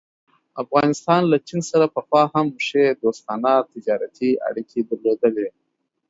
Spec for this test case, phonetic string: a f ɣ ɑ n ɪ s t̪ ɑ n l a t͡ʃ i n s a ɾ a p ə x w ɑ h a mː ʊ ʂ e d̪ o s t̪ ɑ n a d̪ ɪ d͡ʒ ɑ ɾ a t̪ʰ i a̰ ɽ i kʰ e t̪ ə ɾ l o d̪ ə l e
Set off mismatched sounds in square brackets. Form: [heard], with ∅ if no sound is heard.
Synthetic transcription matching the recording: a f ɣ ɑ n ɪ s t̪ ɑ n l a t͡ʃ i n s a ɾ a p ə x w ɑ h a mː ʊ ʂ e d̪ o s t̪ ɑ n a [t̪] ɪ d͡ʒ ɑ ɾ a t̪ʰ i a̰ ɽ i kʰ e [d̪] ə ɾ l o d̪ ə l e